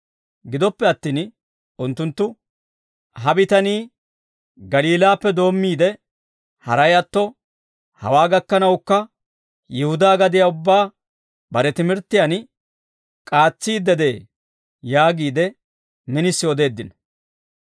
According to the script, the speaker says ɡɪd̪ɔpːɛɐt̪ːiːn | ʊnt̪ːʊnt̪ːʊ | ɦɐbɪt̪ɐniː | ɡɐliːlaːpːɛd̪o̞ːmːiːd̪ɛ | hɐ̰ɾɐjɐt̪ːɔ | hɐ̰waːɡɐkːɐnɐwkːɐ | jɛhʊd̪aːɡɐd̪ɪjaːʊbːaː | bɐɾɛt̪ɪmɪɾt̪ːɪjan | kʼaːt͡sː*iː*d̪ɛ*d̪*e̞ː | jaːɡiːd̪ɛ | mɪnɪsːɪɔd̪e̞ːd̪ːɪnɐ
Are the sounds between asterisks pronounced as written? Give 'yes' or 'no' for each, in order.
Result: yes, yes

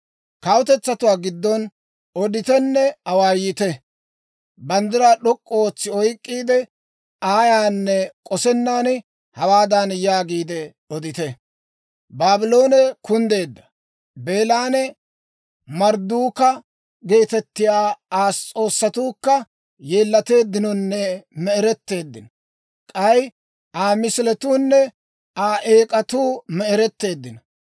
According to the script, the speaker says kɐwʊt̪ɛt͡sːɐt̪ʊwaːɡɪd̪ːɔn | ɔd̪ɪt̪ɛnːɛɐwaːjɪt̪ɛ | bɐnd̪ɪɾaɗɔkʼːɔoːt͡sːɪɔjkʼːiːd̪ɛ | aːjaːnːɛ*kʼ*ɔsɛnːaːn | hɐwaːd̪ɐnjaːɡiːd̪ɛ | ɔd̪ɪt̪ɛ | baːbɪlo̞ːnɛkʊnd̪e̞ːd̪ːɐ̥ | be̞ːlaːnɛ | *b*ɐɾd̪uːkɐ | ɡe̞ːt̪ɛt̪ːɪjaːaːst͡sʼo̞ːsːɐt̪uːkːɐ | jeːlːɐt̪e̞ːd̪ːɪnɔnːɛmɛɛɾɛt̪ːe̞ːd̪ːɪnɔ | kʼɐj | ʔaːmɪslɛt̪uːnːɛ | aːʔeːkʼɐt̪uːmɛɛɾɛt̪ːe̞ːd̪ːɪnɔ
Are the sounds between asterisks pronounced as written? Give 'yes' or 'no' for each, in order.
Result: yes, no

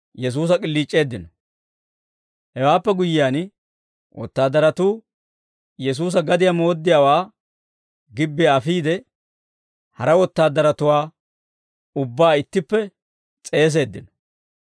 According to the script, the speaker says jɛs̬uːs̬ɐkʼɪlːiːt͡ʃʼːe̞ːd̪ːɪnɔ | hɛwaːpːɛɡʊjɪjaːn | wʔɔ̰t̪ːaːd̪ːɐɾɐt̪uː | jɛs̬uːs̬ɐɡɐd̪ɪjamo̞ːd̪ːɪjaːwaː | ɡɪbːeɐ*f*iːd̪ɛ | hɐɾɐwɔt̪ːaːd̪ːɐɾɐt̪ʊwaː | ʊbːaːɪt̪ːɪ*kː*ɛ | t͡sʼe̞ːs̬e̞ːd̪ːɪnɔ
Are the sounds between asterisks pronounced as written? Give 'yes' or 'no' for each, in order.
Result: yes, no

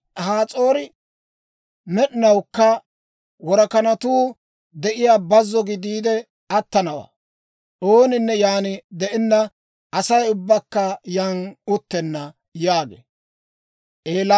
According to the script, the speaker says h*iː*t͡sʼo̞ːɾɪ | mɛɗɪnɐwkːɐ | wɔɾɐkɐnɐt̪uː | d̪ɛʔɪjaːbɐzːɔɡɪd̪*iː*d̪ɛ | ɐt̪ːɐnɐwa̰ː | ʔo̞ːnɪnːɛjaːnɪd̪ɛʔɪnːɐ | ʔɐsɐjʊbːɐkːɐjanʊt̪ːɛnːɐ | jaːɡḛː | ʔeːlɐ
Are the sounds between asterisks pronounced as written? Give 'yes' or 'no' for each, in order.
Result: no, yes

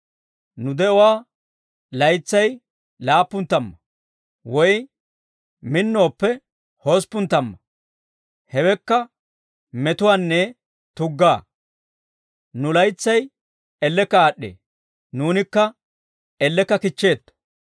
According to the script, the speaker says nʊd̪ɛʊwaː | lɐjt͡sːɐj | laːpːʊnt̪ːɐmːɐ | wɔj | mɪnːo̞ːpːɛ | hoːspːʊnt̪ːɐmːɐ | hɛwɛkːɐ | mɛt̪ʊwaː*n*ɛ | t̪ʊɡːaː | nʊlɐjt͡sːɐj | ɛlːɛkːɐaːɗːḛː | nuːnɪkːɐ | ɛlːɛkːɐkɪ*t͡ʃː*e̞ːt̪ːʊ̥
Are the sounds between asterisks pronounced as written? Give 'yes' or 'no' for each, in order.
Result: no, yes

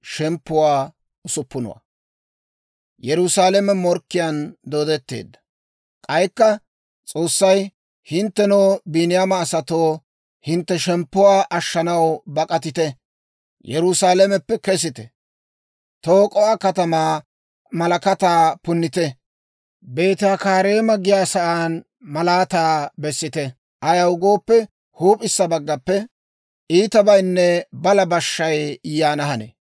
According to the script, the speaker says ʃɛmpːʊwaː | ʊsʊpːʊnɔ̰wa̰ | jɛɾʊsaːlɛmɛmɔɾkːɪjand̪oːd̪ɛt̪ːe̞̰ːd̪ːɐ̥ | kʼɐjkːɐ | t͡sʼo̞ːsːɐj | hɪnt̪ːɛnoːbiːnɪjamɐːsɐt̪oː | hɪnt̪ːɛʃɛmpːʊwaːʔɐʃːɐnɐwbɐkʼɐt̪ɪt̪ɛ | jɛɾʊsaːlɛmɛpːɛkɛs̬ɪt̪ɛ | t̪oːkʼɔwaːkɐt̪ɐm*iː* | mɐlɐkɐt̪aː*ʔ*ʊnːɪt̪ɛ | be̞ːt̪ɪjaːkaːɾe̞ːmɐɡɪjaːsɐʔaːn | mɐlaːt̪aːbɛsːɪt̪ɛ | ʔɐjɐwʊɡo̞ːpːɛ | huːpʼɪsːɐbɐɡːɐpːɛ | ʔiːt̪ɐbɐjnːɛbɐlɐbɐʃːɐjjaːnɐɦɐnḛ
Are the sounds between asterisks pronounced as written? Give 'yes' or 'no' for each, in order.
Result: no, no

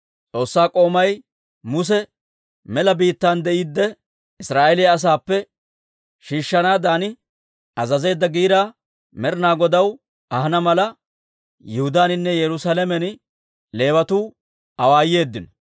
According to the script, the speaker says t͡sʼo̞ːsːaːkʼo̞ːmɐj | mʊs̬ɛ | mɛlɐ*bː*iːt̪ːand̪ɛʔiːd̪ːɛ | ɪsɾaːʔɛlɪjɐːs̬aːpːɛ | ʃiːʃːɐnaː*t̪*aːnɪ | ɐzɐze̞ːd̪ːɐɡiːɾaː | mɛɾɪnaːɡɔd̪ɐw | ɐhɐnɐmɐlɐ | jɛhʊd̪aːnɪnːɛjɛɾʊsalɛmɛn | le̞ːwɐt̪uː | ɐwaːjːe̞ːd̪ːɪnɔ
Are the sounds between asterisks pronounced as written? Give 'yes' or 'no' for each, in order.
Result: no, no

